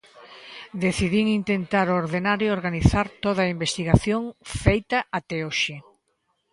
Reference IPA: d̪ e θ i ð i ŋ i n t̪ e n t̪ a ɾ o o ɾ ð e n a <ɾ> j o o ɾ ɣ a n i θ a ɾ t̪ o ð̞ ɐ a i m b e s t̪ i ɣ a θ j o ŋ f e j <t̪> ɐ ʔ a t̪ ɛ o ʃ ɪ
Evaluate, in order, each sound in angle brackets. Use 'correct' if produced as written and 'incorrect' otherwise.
correct, correct

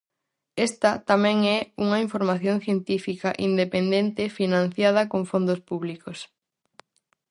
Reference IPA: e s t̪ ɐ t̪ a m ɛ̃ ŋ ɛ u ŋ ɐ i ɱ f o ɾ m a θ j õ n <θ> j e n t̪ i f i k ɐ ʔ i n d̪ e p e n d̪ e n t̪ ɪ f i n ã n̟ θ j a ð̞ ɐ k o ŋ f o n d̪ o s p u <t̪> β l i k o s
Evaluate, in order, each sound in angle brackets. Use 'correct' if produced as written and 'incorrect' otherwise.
correct, incorrect

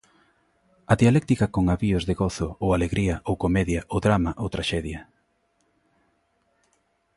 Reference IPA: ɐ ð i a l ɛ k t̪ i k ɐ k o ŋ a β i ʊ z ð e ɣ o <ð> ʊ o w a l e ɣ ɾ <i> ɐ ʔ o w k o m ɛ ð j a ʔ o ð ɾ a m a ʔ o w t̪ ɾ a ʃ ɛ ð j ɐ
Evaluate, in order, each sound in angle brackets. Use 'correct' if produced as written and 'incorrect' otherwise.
incorrect, correct

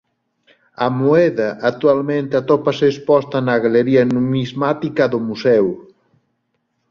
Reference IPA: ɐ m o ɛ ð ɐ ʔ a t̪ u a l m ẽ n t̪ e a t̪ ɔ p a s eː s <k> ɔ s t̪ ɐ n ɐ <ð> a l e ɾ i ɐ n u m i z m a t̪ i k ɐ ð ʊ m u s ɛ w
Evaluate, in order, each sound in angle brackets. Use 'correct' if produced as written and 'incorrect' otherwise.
incorrect, incorrect

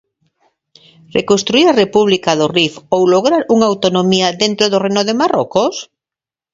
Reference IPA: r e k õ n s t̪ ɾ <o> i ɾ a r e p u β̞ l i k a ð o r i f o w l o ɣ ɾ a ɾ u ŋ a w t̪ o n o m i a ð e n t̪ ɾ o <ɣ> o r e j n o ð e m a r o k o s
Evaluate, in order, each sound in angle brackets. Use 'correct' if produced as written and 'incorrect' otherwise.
incorrect, incorrect

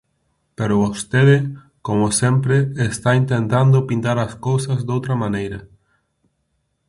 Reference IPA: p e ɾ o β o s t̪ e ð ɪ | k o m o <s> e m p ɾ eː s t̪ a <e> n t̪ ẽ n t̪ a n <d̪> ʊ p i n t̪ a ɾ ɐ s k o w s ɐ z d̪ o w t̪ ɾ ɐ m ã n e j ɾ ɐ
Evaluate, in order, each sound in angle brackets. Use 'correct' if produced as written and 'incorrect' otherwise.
correct, incorrect, correct

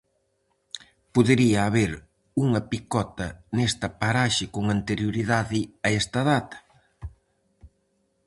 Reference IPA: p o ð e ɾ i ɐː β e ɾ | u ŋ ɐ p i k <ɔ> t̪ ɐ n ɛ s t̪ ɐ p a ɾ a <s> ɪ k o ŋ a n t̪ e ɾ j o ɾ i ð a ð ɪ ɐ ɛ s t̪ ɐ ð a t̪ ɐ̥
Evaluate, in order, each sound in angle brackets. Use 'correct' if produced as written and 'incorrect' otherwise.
correct, incorrect

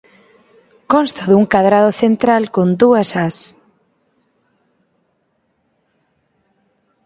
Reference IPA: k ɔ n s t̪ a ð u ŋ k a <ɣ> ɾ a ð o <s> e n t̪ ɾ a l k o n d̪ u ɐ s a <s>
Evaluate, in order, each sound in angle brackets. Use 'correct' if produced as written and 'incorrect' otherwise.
incorrect, incorrect, correct

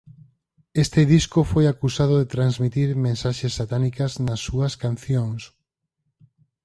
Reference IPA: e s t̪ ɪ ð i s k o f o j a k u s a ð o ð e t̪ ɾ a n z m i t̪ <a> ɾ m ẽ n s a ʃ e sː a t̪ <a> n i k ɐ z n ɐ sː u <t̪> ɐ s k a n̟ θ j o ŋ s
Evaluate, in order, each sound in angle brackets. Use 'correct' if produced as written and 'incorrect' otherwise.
incorrect, correct, incorrect

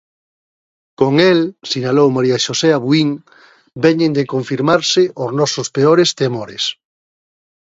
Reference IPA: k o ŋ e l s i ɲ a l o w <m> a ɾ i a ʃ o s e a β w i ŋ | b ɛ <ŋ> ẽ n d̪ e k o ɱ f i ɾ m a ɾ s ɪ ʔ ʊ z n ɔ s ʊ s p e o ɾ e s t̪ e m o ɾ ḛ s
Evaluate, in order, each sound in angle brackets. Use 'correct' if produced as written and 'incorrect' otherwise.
correct, incorrect

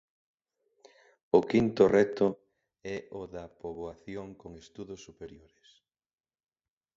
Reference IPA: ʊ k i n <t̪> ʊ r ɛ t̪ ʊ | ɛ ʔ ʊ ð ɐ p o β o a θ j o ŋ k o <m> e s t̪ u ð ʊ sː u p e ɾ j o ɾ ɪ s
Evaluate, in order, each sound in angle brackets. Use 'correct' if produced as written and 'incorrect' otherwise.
correct, incorrect

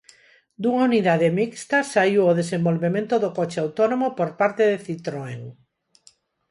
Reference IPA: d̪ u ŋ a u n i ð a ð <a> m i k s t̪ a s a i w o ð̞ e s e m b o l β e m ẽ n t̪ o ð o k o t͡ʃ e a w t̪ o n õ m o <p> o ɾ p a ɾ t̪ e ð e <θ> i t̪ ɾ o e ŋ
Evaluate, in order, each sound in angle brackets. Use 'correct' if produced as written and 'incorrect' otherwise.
incorrect, correct, correct

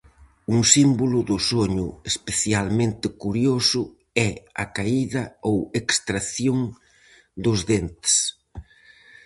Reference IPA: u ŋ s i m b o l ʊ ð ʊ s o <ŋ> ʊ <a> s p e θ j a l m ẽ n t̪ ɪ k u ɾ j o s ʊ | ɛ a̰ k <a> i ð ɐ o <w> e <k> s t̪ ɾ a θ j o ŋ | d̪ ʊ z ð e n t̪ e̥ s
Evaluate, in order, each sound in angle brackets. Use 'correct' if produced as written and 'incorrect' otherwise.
incorrect, incorrect, correct, correct, correct

